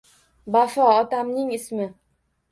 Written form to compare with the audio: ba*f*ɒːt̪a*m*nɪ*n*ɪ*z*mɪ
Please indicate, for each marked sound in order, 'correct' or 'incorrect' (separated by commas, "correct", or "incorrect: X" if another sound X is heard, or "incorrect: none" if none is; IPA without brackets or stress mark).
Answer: correct, correct, incorrect: ŋ, incorrect: s